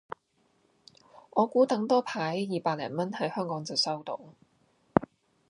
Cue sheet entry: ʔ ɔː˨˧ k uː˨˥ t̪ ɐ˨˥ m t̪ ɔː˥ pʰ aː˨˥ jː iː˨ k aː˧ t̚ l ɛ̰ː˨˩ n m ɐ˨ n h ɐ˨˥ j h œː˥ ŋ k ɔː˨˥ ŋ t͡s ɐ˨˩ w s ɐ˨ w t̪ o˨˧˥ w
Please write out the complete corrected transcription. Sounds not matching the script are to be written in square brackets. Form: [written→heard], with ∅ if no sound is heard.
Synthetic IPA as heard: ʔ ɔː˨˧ k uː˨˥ t̪ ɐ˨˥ [m→ŋ] t̪ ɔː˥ pʰ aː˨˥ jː iː˨ [k→p] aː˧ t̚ l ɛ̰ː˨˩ n m [ɐ˨→ɐ˥] n h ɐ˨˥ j h œː˥ ŋ k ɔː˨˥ ŋ t͡s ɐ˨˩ w s [ɐ˨→ɐ˥] w t̪ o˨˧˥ w

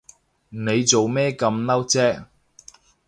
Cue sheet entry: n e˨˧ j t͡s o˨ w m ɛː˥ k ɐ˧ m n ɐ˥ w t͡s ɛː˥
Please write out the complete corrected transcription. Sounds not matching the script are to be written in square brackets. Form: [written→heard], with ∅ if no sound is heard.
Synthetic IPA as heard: n e˨˧ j t͡s o˨ w m ɛː˥ k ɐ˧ m n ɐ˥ w t͡s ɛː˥

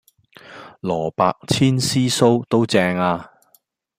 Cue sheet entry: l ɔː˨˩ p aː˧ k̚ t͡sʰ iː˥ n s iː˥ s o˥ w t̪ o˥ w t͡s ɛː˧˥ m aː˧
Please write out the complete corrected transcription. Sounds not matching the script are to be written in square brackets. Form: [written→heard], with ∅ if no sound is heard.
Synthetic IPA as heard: l ɔː˨˩ p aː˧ k̚ t͡sʰ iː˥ n s iː˥ s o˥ w t̪ o˥ w t͡s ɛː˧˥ [m→ŋ] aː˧

